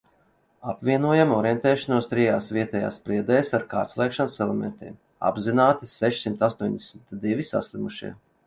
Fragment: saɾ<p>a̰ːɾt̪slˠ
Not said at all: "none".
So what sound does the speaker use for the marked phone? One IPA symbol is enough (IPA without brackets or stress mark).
k